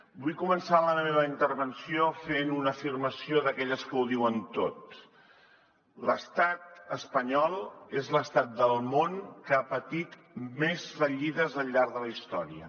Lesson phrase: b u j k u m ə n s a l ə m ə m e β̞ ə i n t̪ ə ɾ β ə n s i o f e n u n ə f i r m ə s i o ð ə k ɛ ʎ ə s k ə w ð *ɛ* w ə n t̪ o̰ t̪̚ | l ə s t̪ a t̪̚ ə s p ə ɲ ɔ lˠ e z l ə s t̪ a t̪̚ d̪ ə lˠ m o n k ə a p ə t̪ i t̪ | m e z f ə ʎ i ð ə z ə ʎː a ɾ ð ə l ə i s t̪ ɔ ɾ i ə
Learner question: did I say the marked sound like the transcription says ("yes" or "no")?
no